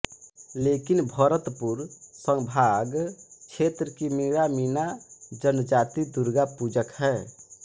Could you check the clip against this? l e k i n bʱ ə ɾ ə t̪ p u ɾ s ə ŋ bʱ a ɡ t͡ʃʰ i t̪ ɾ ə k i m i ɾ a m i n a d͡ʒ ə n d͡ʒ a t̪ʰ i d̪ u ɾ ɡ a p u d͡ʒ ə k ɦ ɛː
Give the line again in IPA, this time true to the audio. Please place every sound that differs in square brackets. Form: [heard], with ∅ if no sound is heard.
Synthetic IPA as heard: l e k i n bʱ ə ɾ ə t̪ p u ɾ s ə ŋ bʱ a ɡ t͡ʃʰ [e] t̪ ɾ ə k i m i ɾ a m i n a d͡ʒ ə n d͡ʒ a [t̪] i d̪ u ɾ ɡ a p u d͡ʒ ə k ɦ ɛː

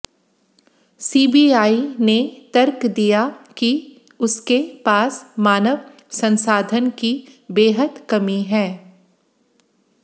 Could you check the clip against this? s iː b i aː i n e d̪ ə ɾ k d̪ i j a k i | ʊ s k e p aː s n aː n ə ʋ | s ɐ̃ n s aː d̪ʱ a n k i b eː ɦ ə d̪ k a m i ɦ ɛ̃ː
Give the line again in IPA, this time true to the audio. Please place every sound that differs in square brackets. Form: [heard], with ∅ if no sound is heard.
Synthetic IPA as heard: s iː b i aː i n e [t̪] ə ɾ k d̪ i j a k i | ʊ s k e p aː s [m] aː n ə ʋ | s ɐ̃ n s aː d̪ʱ [ə] n k i b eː ɦ ə d̪ k [ɐ] m i ɦ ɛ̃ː

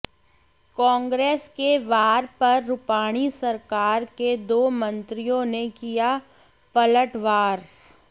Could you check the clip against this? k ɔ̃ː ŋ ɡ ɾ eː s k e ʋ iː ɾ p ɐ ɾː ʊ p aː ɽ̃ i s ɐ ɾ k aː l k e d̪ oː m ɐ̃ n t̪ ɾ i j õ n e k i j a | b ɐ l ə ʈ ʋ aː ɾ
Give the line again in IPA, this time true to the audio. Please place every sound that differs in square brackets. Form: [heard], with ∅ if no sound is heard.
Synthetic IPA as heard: k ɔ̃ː ŋ ɡ ɾ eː s k e ʋ [aː] ɾ p ɐ ɾː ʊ p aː ɽ̃ i s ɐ ɾ k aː [ɾ] k e d̪ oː m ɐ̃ n t̪ ɾ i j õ n e k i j a | [p] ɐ l ə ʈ ʋ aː ɾ

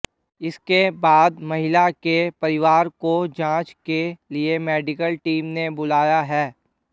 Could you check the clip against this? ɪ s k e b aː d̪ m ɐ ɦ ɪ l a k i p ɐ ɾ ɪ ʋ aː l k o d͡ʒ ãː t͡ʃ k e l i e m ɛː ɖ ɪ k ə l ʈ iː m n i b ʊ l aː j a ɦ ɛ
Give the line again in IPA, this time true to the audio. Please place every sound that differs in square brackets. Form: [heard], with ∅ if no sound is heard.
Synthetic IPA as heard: ɪ s k e b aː d̪ m ɐ ɦ ɪ l a k [e] p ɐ ɾ ɪ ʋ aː [ɾ] k o d͡ʒ ãː t͡ʃ k e l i e m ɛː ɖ ɪ k ə l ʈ iː m n [e] b ʊ l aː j a ɦ [ɛː]

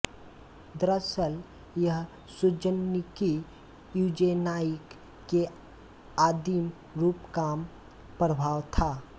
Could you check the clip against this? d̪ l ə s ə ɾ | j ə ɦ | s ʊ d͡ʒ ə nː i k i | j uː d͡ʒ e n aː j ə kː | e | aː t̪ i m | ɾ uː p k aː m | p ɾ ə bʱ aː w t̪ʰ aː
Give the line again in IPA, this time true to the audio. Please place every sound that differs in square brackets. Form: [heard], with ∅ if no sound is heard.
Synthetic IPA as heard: d̪ [ɾ] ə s ə [l] | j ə ɦ | s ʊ d͡ʒ ə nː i k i | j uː d͡ʒ e n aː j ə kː | e | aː [d̪] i m | ɾ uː p k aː m | p ɾ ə bʱ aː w t̪ʰ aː

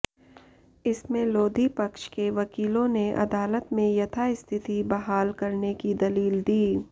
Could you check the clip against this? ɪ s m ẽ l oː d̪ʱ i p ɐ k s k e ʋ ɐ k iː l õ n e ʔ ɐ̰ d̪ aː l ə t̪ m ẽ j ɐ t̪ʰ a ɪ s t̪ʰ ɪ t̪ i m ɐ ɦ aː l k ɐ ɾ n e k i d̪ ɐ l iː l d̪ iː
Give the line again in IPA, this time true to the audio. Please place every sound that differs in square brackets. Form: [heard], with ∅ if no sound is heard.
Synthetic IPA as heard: ɪ s m ẽ l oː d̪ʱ i p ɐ k [ʃ] k e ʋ ɐ k iː l õ n e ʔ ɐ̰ d̪ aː l ə t̪ m ẽ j ɐ t̪ʰ a ɪ s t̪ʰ ɪ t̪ i [b] ɐ ɦ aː l k ɐ ɾ n e k i d̪ ɐ l iː l d̪ iː

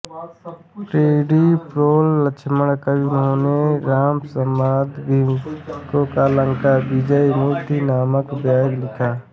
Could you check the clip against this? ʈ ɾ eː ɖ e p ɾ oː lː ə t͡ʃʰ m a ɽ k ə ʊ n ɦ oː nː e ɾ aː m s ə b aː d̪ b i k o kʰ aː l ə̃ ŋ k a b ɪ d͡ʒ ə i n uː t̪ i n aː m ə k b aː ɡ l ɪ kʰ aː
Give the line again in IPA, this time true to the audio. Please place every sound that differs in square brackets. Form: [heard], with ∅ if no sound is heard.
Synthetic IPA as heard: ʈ ɾ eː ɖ [i] p ɾ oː lː ə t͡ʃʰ m [ə] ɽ k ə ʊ n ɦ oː [n] e ɾ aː m s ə [m] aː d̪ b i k o [k] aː l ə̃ ŋ k a b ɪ d͡ʒ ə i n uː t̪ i n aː m ə k b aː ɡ l ɪ kʰ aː

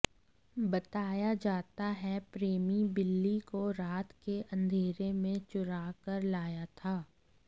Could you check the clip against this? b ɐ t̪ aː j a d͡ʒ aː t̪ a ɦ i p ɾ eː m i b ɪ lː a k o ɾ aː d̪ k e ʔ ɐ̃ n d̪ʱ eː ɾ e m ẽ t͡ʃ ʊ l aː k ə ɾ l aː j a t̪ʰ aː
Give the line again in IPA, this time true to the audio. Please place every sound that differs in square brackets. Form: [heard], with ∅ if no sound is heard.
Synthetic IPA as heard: b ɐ t̪ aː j a d͡ʒ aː t̪ a ɦ [ɛ] p ɾ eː m i b ɪ lː [i] k o ɾ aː [t̪] k e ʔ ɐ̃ n d̪ʱ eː ɾ e m ẽ t͡ʃ ʊ [ɾ] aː k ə ɾ l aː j a t̪ʰ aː

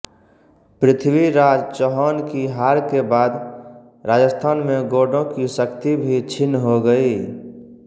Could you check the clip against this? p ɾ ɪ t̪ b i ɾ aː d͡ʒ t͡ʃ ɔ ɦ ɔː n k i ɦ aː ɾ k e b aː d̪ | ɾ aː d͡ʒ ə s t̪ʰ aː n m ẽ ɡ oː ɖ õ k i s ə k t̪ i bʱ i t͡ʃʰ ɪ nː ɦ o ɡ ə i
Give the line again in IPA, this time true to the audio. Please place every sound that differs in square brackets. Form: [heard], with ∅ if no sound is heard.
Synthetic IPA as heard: p ɾ ɪ [t̪ʰ] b i ɾ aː d͡ʒ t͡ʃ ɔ ɦ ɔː n k i ɦ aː ɾ k e b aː d̪ | ɾ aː d͡ʒ ə s t̪ʰ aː n m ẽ ɡ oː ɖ õ k i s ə k t̪ i bʱ i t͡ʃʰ ɪ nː ɦ o ɡ ə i

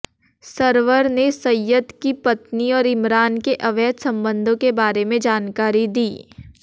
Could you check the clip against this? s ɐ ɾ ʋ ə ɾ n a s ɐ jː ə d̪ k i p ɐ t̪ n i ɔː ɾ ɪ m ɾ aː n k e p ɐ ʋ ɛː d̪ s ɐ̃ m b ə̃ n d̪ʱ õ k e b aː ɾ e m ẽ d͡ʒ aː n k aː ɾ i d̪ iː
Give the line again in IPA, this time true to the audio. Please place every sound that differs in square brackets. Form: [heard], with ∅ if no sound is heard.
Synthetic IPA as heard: s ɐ ɾ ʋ ə ɾ n [e] s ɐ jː ə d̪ k i p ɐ t̪ n i ɔː ɾ ɪ m ɾ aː n k e [ʔ] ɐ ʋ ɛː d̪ s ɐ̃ m b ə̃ n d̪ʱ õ k e b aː ɾ e m ẽ d͡ʒ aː n k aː ɾ i d̪ iː

